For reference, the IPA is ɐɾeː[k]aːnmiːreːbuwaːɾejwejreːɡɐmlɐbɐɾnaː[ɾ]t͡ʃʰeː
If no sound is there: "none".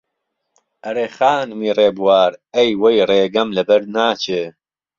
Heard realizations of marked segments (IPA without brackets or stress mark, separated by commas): x, none